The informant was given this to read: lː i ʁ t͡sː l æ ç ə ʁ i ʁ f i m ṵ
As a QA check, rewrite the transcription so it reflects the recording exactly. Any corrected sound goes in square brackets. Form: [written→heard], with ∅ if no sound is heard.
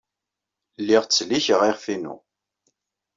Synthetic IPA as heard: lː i ʁ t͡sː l [æ→i] ç ə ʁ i ʁ f i [m→n] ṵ